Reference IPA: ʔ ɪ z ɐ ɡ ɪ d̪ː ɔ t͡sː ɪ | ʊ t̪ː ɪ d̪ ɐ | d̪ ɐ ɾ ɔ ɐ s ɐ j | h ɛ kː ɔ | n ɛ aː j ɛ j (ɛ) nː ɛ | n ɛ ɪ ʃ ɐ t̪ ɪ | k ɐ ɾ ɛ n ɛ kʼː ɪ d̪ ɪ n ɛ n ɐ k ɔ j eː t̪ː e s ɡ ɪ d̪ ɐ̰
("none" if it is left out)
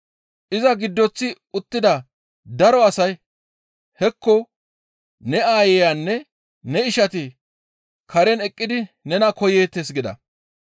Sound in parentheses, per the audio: a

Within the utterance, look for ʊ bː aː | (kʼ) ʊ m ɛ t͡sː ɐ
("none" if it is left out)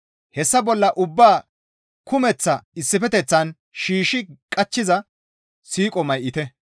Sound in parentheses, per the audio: k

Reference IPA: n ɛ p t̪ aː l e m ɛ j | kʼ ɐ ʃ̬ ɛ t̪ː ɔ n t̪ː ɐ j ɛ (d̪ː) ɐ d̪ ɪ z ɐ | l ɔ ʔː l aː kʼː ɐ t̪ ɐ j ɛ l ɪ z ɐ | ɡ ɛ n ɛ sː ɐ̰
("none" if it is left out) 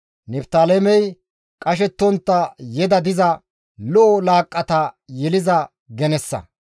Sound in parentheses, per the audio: d̪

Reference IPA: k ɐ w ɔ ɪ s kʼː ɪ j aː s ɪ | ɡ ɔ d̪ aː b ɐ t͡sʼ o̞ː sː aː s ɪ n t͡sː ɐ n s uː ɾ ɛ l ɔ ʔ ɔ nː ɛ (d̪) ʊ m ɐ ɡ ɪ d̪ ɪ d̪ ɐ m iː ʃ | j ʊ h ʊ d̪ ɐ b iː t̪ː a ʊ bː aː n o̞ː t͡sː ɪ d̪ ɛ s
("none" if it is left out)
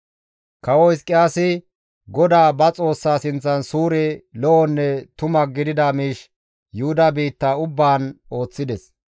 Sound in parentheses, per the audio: t̪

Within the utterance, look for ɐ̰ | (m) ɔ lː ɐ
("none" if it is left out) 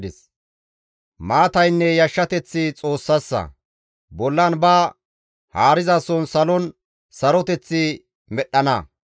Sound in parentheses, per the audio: b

